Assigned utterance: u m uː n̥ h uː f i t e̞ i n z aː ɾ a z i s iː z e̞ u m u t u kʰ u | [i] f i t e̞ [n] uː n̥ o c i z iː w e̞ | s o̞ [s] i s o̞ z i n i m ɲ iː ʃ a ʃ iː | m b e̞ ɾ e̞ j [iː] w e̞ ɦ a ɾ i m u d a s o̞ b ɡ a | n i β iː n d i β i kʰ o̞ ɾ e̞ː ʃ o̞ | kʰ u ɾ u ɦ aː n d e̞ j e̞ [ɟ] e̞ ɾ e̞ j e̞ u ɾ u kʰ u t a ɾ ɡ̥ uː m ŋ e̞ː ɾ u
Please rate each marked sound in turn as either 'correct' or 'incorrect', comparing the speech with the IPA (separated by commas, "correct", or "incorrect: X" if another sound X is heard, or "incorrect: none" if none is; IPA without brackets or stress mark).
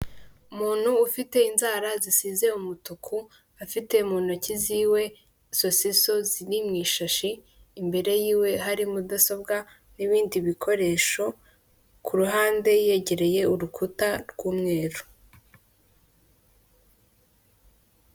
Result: incorrect: a, incorrect: m, correct, correct, correct